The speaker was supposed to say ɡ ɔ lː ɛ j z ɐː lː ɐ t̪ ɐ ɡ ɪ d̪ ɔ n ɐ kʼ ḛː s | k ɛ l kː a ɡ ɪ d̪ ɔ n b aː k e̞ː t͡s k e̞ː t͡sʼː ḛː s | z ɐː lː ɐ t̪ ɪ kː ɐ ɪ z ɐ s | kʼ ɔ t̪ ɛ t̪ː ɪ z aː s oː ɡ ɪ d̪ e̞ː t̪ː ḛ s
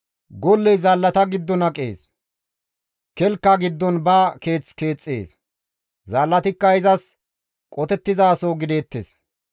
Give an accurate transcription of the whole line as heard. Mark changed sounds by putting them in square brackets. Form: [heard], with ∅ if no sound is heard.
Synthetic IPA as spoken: ɡ ɔ lː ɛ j z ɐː lː ɐ t̪ ɐ ɡ ɪ [d̪ː] ɔ n ɐ kʼ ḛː s | k ɛ l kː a ɡ ɪ [d̪ː] ɔ n b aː k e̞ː t͡s k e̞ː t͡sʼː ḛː s | z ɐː lː ɐ t̪ ɪ kː ɐ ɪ z ɐ s | kʼ ɔ t̪ ɛ t̪ː ɪ z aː s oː ɡ ɪ d̪ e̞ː t̪ː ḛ s

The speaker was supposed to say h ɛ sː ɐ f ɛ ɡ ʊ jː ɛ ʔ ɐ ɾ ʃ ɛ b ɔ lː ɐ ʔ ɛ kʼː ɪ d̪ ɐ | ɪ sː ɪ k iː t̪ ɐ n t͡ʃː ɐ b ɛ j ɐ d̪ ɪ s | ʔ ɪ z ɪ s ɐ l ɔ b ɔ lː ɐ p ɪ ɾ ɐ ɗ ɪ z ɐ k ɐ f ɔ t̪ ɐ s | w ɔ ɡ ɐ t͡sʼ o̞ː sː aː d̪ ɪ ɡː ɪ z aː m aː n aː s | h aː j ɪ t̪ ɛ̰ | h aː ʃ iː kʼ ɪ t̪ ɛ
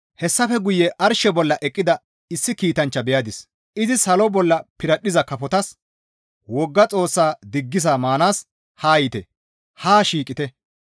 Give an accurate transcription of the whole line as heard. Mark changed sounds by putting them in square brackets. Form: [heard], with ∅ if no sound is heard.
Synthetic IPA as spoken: h ɛ sː ɐ f ɛ ɡ ʊ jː ɛ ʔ ɐ ɾ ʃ ɛ b ɔ lː ɐ ʔ ɛ kʼː ɪ d̪ ɐ | ɪ sː ɪ k iː t̪ ɐ n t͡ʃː ɐ b ɛ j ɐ d̪ ɪ s | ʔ ɪ z ɪ s ɐ l ɔ b ɔ lː ɐ p ɪ ɾ ɐ ɗ ɪ z ɐ k ɐ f ɔ t̪ ɐ s | w ɔ [ɡː] ɐ t͡sʼ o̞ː sː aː d̪ ɪ ɡː ɪ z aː m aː n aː s | h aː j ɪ t̪ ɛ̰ | h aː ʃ iː kʼ ɪ t̪ ɛ

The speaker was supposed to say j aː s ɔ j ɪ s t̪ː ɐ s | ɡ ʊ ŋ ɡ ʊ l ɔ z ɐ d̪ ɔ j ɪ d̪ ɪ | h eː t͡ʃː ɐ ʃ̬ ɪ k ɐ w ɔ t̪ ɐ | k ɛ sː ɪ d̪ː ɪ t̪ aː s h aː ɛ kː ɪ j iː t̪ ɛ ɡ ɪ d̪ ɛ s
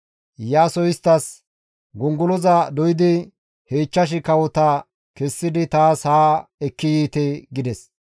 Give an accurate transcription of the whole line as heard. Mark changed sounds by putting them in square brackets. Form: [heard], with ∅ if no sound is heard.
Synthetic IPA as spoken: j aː s ɔ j ɪ s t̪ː ɐ s | ɡ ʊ ŋ ɡ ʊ l ɔ z ɐ d̪ ɔ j ɪ d̪ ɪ | h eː t͡ʃː ɐ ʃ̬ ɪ k ɐ w ɔ t̪ ɐ | k ɛ sː ɪ [d̪] ɪ t̪ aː s h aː ɛ kː ɪ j iː t̪ ɛ ɡ ɪ d̪ ɛ s

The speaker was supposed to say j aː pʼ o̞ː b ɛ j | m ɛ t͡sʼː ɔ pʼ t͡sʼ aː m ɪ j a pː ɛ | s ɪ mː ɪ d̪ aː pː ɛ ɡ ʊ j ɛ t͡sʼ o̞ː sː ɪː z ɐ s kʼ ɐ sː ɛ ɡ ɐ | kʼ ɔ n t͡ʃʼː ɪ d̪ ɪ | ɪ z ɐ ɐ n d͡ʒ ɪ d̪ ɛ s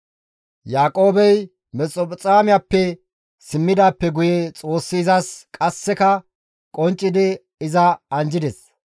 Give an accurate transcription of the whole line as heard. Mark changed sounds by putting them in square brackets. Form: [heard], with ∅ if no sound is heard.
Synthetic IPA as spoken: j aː [kʼ] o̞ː b ɛ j | m ɛ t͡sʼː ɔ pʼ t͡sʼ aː m ɪ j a pː ɛ | s ɪ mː ɪ d̪ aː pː ɛ ɡ ʊ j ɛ t͡sʼ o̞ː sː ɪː z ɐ s kʼ ɐ sː ɛ [k] ɐ | kʼ ɔ n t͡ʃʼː ɪ d̪ ɪ | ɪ z ɐ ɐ n d͡ʒ ɪ d̪ ɛ s

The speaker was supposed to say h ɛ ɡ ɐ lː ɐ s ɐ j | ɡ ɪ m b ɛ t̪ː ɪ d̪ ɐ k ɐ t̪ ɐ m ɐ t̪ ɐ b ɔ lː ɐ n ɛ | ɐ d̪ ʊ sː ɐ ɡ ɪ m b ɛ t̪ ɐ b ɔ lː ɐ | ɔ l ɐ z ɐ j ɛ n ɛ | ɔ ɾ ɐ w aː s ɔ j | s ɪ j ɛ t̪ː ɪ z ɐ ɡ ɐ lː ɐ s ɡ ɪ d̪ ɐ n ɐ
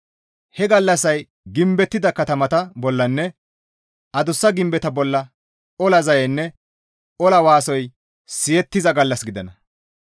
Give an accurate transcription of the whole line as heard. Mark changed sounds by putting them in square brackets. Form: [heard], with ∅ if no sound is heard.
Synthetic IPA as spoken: h ɛ ɡ ɐ lː ɐ s ɐ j | ɡ ɪ m b ɛ t̪ː ɪ d̪ ɐ k ɐ t̪ ɐ m ɐ t̪ ɐ b ɔ lː ɐ [nː] ɛ | ɐ d̪ ʊ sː ɐ ɡ ɪ m b ɛ t̪ ɐ b ɔ lː ɐ | ɔ l ɐ z ɐ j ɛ [nː] ɛ | ɔ [l] ɐ w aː s ɔ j | s ɪ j ɛ t̪ː ɪ z ɐ ɡ ɐ lː ɐ s ɡ ɪ d̪ ɐ n ɐ

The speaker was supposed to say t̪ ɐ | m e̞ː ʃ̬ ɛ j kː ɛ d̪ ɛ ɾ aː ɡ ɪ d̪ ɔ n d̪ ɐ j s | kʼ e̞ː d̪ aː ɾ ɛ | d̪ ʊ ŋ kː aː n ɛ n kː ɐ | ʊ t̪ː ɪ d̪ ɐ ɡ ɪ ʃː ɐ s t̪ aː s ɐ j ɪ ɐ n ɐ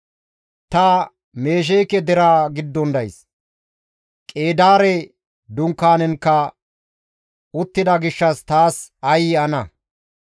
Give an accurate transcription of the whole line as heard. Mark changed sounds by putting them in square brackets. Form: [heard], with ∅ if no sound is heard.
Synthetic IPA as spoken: t̪ ɐ | m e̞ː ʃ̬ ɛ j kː ɛ d̪ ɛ ɾ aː ɡ ɪ [d̪ː] ɔ n d̪ ɐ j s | kʼ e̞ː d̪ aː ɾ ɛ | d̪ ʊ ŋ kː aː n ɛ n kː ɐ | ʊ t̪ː ɪ d̪ ɐ ɡ ɪ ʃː ɐ s t̪ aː s ɐ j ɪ ɐ n ɐ

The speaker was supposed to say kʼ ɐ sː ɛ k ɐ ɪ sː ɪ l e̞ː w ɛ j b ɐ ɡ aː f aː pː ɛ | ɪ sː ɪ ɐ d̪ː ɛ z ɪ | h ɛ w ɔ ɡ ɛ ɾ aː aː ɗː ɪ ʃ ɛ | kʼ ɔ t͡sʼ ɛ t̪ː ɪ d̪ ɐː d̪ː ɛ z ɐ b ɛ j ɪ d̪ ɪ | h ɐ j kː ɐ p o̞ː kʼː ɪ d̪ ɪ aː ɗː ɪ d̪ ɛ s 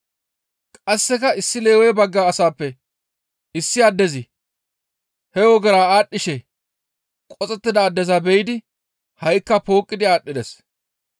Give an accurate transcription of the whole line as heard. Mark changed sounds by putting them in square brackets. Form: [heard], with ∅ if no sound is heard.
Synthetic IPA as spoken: kʼ ɐ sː ɛ k ɐ ɪ sː ɪ l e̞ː w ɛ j b ɐ [ɡː] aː [s] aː pː ɛ | ɪ sː ɪ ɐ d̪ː ɛ z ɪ | h ɛ w ɔ ɡ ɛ ɾ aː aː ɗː ɪ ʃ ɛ | kʼ ɔ t͡sʼ ɛ t̪ː ɪ d̪ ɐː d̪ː ɛ z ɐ b ɛ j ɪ d̪ ɪ | h ɐ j kː ɐ p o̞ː kʼː ɪ d̪ ɪ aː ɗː ɪ d̪ ɛ s

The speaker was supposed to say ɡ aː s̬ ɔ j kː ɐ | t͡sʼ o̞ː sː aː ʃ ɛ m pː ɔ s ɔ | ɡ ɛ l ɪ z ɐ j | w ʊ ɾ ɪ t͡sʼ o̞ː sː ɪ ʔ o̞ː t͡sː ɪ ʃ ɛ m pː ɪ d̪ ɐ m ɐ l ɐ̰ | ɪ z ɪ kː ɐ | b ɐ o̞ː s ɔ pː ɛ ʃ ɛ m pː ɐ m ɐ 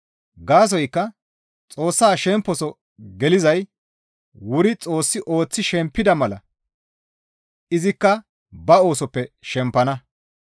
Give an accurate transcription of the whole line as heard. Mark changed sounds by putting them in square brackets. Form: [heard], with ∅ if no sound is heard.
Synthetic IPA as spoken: ɡ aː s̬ ɔ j kː ɐ | t͡sʼ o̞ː sː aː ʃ ɛ m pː ɔ s ɔ | ɡ ɛ l ɪ z ɐ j | w ʊ ɾ ɪ t͡sʼ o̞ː sː ɪ ʔ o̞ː t͡sː ɪ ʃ ɛ m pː ɪ d̪ ɐ m ɐ l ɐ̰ | ɪ z ɪ kː ɐ | b ɐ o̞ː s ɔ pː ɛ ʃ ɛ m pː ɐ [n] ɐ

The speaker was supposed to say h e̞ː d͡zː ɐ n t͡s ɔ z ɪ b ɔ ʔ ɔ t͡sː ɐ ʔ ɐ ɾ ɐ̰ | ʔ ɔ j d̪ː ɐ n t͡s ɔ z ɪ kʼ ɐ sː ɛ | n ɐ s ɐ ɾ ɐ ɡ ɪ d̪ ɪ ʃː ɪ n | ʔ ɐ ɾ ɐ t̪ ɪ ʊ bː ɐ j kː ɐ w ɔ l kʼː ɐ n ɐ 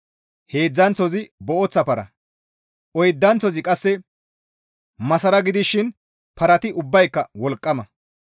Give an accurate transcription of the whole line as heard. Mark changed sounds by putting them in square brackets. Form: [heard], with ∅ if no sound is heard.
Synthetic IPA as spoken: h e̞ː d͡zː ɐ n t͡s ɔ z ɪ b ɔ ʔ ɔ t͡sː ɐ [p] ɐ ɾ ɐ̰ | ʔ ɔ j d̪ː ɐ n t͡s ɔ z ɪ kʼ ɐ sː ɛ | [m] ɐ s ɐ ɾ ɐ ɡ ɪ d̪ ɪ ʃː ɪ n | [p] ɐ ɾ ɐ t̪ ɪ ʊ bː ɐ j kː ɐ w ɔ l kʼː ɐ [m] ɐ

